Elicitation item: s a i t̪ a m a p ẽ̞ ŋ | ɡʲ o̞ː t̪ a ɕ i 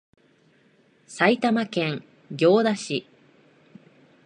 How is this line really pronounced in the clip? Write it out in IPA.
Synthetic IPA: s a i t̪ a m a k ẽ̞ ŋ | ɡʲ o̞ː d̪ a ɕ i